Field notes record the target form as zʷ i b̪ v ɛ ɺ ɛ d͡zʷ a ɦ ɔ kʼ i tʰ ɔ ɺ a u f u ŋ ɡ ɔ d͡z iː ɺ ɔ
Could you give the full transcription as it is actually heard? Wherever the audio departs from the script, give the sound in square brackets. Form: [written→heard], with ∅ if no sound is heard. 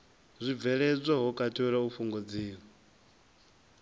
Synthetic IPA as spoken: zʷ i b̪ v ɛ ɺ ɛ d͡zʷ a ɦ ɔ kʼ [i→a] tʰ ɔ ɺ a u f u ŋ ɡ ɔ d͡z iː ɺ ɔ